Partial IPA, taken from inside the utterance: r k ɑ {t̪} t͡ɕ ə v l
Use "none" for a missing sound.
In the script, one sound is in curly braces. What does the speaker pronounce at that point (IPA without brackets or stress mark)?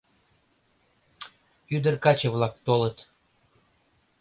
none